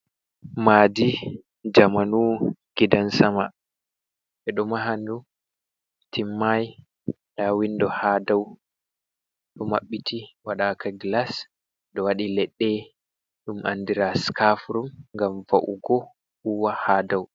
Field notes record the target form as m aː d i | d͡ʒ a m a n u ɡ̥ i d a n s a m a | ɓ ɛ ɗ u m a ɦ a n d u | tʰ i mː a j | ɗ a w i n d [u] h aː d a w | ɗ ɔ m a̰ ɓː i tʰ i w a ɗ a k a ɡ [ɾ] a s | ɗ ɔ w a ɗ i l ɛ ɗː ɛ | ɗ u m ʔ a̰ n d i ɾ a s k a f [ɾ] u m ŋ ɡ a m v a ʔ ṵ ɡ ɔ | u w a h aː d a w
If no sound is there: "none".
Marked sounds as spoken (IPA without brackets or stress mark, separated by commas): ɔ, l, ɾ